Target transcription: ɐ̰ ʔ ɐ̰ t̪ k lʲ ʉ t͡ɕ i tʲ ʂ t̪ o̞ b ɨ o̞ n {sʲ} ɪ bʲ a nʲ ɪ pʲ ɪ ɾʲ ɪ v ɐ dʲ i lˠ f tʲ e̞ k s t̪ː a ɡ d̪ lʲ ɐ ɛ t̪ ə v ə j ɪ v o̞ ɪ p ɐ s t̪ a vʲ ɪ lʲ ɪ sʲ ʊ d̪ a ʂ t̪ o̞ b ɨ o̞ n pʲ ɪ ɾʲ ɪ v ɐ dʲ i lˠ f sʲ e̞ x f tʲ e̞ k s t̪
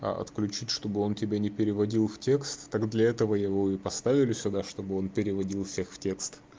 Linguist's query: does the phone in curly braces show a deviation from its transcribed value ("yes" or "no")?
yes